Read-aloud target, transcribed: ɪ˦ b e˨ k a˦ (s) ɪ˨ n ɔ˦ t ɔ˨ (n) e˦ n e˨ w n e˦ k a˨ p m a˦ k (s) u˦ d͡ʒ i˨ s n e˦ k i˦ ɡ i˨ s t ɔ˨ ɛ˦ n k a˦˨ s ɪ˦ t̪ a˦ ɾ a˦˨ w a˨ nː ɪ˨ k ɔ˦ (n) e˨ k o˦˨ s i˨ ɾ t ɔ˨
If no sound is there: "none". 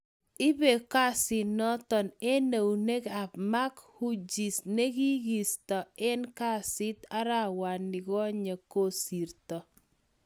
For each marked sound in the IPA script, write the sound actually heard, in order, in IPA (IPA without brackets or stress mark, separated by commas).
s, n, h, ɲ